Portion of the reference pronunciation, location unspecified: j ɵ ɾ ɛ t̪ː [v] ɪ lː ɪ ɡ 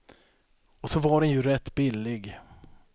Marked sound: incorrect: b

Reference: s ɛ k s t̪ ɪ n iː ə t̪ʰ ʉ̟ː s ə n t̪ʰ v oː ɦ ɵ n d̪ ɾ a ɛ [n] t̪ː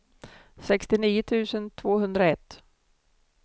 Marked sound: incorrect: none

